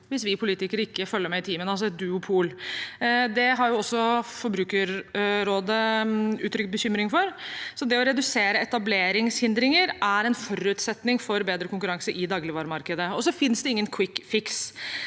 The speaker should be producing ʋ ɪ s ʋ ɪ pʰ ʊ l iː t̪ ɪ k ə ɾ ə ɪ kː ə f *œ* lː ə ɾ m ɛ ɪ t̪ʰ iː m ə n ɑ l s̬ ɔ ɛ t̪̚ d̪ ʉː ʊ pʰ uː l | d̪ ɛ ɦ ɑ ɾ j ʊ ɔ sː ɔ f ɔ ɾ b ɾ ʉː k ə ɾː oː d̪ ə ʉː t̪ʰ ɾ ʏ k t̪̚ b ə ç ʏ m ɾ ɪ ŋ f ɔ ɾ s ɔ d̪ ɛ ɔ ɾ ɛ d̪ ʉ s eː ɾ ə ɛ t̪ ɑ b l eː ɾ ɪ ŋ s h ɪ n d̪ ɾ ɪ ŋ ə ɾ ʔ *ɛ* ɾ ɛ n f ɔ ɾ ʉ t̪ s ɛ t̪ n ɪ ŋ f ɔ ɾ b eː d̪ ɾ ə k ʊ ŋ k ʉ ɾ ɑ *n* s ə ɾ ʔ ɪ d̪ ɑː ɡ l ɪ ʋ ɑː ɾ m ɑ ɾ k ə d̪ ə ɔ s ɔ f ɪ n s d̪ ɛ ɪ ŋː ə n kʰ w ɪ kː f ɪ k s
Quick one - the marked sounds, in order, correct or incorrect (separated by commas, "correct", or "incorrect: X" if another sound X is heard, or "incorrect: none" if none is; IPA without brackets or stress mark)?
correct, incorrect: æ, incorrect: ŋ